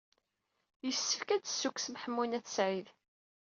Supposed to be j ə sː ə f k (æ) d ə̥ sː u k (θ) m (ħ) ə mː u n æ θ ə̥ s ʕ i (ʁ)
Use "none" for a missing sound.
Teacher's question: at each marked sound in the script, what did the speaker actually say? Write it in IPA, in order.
æ, s, ħ, ð

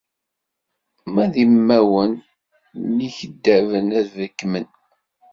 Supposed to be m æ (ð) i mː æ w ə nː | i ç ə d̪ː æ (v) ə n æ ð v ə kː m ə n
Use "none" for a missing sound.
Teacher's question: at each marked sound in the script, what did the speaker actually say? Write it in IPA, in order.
ð, v

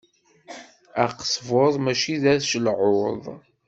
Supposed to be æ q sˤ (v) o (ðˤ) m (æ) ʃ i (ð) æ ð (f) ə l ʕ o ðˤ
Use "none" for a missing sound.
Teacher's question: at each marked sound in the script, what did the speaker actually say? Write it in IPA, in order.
v, ðˤ, æ, ð, ʃ

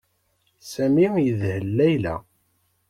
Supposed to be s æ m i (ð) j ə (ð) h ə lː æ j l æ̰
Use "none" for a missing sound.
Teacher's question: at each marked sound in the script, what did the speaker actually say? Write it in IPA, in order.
none, ð

